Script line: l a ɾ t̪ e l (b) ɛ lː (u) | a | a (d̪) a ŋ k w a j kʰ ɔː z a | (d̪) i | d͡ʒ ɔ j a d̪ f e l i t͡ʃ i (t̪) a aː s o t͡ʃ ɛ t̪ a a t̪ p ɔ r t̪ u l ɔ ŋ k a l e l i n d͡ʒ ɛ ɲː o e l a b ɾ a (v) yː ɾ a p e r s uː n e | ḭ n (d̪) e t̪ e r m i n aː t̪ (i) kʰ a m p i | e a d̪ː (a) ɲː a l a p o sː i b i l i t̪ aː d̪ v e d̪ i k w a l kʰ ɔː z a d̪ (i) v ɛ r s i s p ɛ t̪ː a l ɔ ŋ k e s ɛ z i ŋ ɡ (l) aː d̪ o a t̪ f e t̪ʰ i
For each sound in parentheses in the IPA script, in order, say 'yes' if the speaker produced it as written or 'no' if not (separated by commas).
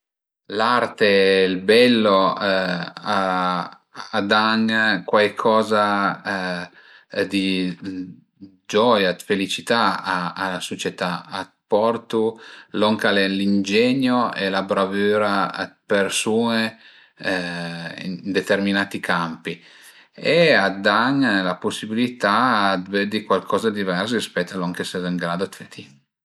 yes, no, yes, yes, yes, yes, yes, yes, yes, yes, no